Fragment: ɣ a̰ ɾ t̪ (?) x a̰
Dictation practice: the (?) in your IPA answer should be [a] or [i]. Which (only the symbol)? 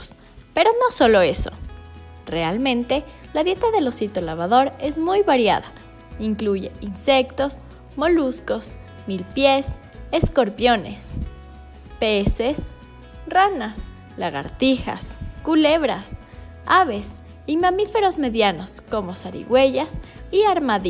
i